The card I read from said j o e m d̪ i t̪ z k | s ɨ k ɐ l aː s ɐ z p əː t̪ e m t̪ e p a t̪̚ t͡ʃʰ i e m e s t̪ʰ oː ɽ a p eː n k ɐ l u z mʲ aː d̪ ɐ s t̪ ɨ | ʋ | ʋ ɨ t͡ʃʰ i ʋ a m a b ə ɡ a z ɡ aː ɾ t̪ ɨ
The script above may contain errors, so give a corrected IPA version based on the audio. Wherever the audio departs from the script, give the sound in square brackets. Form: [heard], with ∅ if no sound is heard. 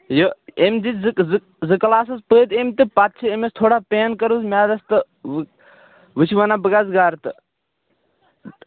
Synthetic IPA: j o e m d̪ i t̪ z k | [z] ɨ k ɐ l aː s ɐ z p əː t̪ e m t̪ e p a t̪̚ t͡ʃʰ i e m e s t̪ʰ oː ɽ a p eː n k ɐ [ɾ] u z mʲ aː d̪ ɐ s t̪ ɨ | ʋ | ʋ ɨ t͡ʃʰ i ʋ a [n] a b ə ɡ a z ɡ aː ɾ t̪ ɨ

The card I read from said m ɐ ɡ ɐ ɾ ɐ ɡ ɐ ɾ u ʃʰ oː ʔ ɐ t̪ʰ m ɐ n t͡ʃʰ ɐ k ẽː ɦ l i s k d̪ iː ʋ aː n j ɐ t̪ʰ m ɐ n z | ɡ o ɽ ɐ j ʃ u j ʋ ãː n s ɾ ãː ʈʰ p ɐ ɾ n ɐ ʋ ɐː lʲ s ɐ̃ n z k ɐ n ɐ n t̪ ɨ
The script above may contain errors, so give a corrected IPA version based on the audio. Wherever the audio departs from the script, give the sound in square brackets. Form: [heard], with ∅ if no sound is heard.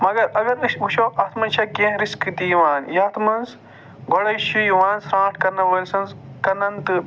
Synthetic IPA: m ɐ ɡ ɐ ɾ ɐ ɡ ɐ ɾ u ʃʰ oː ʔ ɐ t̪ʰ m ɐ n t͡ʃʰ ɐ k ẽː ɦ [ɾ] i s k d̪ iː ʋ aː n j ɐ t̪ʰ m ɐ n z | ɡ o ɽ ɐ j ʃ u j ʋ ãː n s ɾ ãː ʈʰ [k] ɐ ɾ n ɐ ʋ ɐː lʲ s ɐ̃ n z k ɐ n ɐ n t̪ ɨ

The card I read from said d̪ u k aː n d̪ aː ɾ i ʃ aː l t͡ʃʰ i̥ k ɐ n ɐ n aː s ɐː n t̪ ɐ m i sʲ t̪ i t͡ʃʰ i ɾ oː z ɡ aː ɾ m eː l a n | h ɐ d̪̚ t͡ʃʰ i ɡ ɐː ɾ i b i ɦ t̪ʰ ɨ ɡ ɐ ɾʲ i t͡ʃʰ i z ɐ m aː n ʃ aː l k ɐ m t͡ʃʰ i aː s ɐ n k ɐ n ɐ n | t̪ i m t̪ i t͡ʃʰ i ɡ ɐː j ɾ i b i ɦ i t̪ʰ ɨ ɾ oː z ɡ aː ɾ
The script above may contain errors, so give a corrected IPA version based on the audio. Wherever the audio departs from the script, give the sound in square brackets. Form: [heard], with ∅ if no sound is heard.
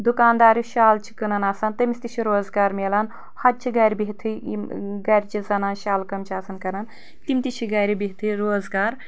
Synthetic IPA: d̪ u k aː n d̪ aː ɾ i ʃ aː l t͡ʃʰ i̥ k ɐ n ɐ n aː s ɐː n t̪ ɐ m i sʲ t̪ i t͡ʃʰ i ɾ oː z ɡ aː ɾ m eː l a n | h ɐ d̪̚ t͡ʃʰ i ɡ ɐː ɾ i b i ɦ t̪ʰ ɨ ɡ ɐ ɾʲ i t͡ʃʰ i z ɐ [n] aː n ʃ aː l k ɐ m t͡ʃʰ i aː s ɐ n k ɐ n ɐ n | t̪ i m t̪ i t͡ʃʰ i ɡ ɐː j ɾ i b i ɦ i t̪ʰ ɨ ɾ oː z ɡ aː ɾ

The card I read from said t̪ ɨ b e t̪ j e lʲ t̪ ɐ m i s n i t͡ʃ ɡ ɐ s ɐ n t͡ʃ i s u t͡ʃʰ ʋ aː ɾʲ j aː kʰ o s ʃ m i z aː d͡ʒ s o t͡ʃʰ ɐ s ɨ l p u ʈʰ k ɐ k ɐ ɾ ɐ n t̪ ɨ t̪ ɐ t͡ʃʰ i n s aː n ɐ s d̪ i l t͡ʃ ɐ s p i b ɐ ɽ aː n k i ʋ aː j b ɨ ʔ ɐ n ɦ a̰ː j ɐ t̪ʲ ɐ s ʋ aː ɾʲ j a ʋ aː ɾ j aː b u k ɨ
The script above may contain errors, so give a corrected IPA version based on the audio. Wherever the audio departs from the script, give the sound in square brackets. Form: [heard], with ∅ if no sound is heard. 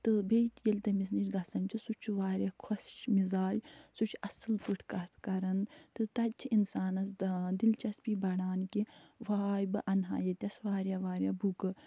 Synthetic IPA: t̪ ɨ b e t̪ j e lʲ t̪ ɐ m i s n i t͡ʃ ɡ ɐ s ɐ n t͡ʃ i s u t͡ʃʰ ʋ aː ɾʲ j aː kʰ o s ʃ m i z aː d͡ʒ s [u] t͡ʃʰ ɐ s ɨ l p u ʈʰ k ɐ k ɐ ɾ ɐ n t̪ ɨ t̪ ɐ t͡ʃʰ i n s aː n ɐ s d̪ i l t͡ʃ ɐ s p i b ɐ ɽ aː n k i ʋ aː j b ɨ ʔ ɐ n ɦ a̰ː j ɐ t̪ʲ ɐ s ʋ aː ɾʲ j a ʋ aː ɾ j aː b u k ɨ

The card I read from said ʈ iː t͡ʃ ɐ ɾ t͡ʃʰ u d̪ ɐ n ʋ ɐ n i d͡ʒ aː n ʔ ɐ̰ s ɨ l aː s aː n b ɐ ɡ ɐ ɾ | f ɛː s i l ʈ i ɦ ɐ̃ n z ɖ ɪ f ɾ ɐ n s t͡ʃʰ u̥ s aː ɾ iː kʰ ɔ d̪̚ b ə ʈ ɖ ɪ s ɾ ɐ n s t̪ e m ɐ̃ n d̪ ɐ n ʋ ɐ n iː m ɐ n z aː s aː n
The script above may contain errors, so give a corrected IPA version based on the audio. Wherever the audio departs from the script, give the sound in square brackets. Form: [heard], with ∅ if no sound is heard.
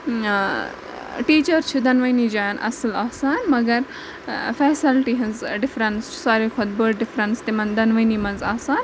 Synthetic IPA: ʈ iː t͡ʃ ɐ ɾ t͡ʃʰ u d̪ ɐ n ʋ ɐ n i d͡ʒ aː n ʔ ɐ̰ s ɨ l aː s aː n [m] ɐ ɡ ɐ ɾ | f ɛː s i l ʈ i ɦ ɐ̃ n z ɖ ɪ f ɾ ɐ n s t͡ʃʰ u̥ s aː ɾ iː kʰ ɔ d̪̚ b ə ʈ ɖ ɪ [f] ɾ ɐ n s t̪ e m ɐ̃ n d̪ ɐ n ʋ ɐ n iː m ɐ n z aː s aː n

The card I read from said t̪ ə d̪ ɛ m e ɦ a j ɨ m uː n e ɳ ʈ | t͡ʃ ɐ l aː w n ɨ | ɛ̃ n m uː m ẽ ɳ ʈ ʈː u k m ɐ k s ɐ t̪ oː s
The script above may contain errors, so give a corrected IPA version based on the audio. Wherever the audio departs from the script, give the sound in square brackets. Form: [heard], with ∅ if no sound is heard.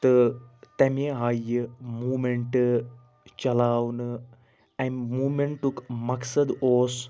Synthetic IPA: t̪ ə [t̪] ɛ m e ɦ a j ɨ m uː [m] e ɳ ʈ | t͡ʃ ɐ l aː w n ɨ | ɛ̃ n m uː m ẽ ɳ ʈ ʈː u k m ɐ k s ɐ [d̪] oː s

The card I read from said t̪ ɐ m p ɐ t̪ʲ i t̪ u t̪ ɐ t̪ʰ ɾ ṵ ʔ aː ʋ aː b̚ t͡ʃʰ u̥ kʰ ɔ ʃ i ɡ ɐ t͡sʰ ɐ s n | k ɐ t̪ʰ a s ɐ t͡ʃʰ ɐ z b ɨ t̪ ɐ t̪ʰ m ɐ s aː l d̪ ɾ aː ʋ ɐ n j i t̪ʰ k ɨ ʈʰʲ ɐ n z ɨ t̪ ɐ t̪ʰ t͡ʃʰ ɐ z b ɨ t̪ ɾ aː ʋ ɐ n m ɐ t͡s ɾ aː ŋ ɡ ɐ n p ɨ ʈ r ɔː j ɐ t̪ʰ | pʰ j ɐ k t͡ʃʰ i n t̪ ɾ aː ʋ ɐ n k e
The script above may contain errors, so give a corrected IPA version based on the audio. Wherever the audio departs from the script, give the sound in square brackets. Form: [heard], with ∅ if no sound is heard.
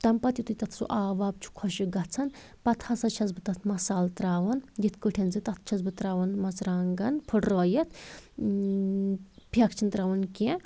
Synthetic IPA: t̪ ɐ m p ɐ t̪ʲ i t̪ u t̪ ɐ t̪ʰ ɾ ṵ ʔ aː ʋ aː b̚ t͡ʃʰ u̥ kʰ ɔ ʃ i ɡ ɐ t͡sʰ ɐ [∅] n | [p] ɐ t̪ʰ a s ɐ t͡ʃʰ ɐ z b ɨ t̪ ɐ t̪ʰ m ɐ s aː l [t̪] ɾ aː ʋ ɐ n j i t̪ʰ k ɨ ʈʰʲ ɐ n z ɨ t̪ ɐ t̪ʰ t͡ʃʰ ɐ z b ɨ t̪ ɾ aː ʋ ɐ n m ɐ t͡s ɾ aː ŋ ɡ ɐ n [pʰ] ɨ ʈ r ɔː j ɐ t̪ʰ | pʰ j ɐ k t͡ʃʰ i n t̪ ɾ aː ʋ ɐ n k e

